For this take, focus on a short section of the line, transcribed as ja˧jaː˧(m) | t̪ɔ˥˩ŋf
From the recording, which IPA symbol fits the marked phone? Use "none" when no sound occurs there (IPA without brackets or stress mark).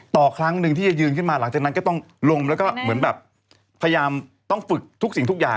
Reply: m